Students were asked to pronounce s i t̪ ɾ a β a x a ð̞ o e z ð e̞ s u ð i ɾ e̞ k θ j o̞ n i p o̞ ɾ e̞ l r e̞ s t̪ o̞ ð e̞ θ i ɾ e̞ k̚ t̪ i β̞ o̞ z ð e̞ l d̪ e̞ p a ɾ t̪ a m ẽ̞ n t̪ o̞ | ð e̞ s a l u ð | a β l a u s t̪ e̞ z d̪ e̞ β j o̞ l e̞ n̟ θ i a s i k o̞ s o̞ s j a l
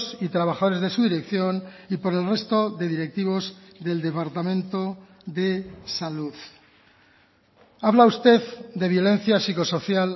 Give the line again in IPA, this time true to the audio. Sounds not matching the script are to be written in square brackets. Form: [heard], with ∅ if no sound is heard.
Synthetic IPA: s i t̪ ɾ a β a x a ð̞ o e z ð e̞ s u ð i ɾ e̞ k θ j o̞ n i p o̞ ɾ e̞ l r e̞ s t̪ o̞ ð e̞ [ð] i ɾ e̞ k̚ t̪ i β̞ o̞ z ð e̞ l d̪ e̞ p a ɾ t̪ a m ẽ̞ n t̪ o̞ | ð e̞ s a l u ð | a β l a u s t̪ e̞ [ð] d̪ e̞ β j o̞ l e̞ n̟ θ [j] a s i k o̞ s o̞ [θ] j a l